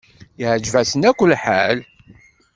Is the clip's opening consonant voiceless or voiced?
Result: voiced